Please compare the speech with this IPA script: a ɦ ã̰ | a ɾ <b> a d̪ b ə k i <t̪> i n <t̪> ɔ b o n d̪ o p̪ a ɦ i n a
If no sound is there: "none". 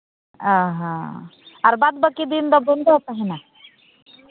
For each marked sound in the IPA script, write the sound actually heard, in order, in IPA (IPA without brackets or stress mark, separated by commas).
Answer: b, d̪, d̪